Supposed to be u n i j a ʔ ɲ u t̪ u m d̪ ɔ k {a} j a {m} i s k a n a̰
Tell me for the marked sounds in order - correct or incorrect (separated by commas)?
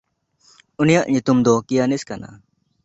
incorrect, incorrect